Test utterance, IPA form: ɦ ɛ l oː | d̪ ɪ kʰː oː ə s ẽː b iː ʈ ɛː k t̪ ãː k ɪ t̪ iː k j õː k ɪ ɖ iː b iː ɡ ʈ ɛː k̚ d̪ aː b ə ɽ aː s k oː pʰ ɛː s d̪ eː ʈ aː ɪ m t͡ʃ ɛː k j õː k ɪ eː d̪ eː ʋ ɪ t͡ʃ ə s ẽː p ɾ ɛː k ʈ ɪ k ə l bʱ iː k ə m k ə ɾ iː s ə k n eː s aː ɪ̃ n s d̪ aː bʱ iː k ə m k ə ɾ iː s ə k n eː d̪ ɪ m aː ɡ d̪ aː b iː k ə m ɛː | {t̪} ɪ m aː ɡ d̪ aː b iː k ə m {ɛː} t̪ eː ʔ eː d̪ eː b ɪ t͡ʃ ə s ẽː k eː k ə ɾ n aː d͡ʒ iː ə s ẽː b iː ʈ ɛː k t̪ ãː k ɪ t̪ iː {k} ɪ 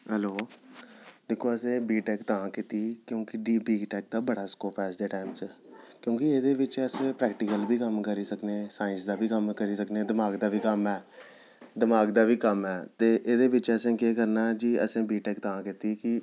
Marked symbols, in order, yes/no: no, yes, yes

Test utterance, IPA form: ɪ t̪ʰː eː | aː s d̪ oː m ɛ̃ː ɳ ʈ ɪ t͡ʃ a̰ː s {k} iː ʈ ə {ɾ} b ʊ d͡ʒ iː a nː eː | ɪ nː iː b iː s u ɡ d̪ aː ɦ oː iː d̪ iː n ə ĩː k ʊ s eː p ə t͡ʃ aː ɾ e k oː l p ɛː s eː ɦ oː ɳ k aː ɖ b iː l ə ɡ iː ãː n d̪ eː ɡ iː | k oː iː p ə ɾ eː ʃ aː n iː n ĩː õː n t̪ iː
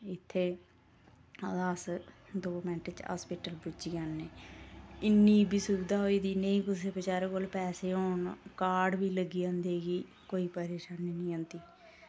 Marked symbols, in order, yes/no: no, no

